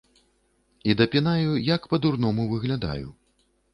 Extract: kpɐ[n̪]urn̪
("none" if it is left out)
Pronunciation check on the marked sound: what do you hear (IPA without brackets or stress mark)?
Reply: d̪